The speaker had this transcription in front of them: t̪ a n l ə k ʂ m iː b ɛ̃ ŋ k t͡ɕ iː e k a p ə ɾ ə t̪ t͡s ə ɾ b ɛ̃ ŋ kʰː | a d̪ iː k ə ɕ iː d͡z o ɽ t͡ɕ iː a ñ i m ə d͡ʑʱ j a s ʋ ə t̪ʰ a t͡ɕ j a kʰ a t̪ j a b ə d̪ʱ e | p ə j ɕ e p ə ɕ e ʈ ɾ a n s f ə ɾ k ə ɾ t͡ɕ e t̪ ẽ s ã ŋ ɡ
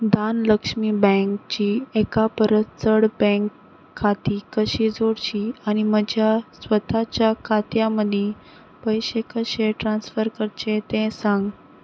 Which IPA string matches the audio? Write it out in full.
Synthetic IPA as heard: d̪ a n l ə k ʂ m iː b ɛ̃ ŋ k t͡ɕ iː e k a p ə ɾ ə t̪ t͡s ə ɽ b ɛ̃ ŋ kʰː | a t̪ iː k ə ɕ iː d͡z o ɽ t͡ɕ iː a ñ i m ə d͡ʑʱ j a s ʋ ə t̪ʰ a t͡ɕ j a kʰ a t̪ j a m ə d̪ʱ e | p ə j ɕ e k ə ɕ e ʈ ɾ a n s f ə ɾ k ə ɾ t͡ɕ e t̪ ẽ s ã ŋ ɡ